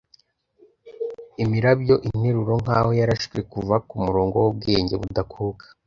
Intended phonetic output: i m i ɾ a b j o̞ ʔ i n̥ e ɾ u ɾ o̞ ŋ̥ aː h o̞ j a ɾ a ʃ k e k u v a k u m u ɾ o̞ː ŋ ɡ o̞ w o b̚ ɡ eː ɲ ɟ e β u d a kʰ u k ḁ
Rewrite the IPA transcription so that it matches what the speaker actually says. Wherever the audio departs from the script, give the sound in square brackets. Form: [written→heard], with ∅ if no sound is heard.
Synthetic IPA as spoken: i m i ɾ a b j o̞ ʔ i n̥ e ɾ u ɾ o̞ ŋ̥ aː h o̞ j a ɾ a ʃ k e k u v a k u m u ɾ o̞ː ŋ ɡ o̞ w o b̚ ɡ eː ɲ ɟ e β u d a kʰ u k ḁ